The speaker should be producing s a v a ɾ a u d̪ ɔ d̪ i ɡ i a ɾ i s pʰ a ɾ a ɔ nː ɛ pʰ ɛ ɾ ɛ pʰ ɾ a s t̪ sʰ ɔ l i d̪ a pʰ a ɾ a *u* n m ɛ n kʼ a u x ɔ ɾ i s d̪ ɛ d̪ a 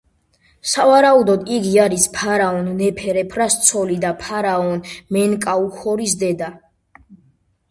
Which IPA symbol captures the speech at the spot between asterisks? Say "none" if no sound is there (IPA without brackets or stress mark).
ɔ